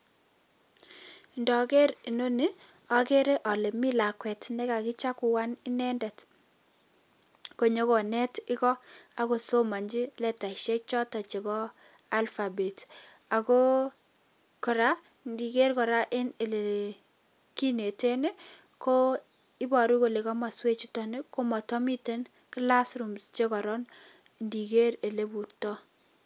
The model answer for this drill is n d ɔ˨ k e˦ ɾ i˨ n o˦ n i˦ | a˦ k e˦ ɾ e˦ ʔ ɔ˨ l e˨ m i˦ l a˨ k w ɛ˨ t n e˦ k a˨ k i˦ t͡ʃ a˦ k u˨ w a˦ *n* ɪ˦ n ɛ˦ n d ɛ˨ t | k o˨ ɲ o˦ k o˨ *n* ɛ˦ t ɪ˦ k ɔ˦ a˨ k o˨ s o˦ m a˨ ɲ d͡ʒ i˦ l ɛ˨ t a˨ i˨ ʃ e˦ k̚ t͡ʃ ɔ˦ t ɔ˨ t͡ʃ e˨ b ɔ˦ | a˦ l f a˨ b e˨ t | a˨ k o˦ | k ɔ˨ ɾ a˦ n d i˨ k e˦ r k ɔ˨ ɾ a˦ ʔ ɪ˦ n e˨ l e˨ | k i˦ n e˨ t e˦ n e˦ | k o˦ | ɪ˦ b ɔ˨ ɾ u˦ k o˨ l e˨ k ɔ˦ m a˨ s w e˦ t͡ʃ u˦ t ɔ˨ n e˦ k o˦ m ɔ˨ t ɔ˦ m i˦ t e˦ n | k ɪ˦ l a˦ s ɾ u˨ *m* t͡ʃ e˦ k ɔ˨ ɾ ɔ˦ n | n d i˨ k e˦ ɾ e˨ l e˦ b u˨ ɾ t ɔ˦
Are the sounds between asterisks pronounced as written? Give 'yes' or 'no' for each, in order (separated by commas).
yes, yes, yes